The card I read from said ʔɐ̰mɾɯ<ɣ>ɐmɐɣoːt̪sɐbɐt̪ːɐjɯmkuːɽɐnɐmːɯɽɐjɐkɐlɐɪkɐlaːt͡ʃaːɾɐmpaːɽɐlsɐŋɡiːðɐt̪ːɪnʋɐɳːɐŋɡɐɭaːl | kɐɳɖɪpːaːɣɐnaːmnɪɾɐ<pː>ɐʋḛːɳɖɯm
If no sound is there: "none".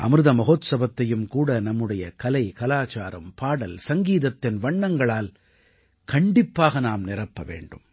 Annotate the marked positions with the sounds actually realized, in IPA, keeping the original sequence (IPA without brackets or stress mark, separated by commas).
ð, pː